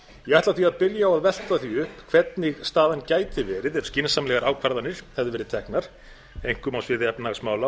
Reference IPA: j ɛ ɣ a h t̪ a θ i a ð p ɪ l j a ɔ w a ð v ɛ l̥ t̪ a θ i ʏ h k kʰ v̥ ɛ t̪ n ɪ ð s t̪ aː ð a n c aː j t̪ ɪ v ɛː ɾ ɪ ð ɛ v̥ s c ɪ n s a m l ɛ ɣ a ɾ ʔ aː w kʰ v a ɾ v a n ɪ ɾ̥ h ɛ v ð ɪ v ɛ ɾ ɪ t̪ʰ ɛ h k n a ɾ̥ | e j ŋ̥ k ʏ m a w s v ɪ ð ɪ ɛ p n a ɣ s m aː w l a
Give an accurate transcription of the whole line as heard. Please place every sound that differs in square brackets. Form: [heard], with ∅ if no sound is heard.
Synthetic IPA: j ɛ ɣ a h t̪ a θ i a ð p ɪ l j a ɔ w a ð v ɛ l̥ t̪ a θ i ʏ h [p] kʰ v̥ ɛ t̪ n ɪ [ɣ] s t̪ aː ð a n c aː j t̪ ɪ v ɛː ɾ ɪ ð ɛ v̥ s c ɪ n s a m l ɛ ɣ a ɾ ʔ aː w kʰ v a ɾ [ð] a n ɪ ɾ̥ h ɛ v ð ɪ v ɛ ɾ ɪ t̪ʰ ɛ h k n a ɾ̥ | e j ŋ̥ k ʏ m a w s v ɪ ð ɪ ɛ p n a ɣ s m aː w l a